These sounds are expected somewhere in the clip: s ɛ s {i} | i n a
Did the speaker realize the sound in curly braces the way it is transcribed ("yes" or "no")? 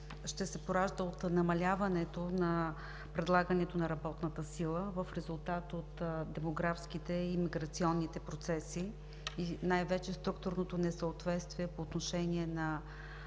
yes